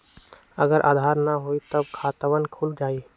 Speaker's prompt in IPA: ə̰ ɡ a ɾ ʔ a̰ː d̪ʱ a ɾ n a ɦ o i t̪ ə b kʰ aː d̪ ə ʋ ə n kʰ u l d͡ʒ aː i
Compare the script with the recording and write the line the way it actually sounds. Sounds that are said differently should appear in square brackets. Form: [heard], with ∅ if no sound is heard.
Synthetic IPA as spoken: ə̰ ɡ [ə] ɾ ʔ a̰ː d̪ʱ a ɾ n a ɦ o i t̪ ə b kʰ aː [t̪] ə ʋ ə n kʰ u l d͡ʒ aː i